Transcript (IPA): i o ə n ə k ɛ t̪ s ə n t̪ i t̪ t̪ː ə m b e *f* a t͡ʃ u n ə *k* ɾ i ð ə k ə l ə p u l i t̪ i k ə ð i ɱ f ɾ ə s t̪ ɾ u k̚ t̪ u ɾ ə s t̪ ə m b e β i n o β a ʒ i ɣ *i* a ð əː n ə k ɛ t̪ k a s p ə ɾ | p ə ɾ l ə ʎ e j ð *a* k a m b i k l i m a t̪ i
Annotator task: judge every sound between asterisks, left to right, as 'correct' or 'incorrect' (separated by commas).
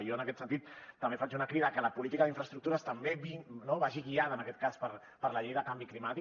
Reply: correct, correct, correct, incorrect